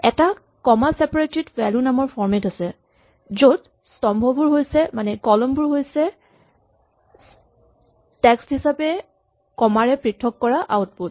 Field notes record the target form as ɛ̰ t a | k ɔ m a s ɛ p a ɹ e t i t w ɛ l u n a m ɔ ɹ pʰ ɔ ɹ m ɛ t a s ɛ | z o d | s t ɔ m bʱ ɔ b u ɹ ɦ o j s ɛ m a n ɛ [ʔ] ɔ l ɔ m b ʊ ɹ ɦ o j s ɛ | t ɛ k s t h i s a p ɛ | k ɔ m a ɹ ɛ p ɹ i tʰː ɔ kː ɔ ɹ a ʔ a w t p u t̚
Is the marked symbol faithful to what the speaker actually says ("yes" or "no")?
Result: no